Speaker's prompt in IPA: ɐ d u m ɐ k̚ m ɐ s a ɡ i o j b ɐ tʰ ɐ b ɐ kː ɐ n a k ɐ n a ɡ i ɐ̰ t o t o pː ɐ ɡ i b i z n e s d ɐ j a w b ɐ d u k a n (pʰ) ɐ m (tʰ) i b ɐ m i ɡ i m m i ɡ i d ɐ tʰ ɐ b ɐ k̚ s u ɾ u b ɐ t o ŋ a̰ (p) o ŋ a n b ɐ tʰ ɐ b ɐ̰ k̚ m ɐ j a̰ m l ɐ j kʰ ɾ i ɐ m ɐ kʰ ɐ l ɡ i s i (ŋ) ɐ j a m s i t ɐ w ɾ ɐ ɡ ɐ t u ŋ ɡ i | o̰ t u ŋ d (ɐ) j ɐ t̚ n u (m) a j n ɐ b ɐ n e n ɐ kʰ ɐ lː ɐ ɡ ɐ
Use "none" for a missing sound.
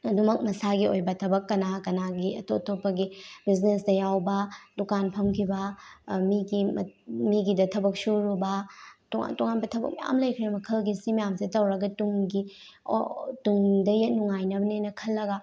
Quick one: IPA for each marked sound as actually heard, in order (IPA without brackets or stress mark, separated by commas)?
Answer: pʰ, kʰ, t, m, ɐ, ŋ